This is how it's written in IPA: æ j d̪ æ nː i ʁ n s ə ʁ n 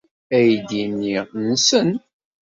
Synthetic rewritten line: æ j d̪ i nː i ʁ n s ə n